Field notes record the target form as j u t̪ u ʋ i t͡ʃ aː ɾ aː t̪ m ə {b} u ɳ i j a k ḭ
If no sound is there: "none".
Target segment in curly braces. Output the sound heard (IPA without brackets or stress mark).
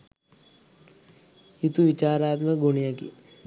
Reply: ɡ